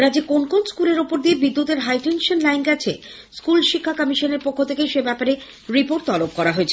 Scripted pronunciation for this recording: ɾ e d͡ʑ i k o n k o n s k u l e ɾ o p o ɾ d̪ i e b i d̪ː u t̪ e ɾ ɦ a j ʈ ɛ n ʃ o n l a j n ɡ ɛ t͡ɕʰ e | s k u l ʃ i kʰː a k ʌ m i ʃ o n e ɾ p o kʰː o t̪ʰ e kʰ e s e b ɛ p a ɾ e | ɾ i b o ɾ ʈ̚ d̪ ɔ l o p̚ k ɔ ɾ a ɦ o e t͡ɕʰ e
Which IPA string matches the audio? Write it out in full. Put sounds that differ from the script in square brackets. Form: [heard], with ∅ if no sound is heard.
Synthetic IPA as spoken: ɾ [a] d͡ʑ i k o n k o n s k u l e ɾ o p o ɾ d̪ i e b i d̪ː u t̪ e ɾ ɦ a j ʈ [e] n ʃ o n l a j n ɡ ɛ t͡ɕʰ e | s k u l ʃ i kʰː a k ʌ m i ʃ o n e ɾ p o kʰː o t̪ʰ e [k] e [ʃ] e b ɛ p a ɾ e | ɾ i [p] o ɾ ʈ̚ [t̪] ɔ l o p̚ k ɔ ɾ a ɦ o e t͡ɕʰ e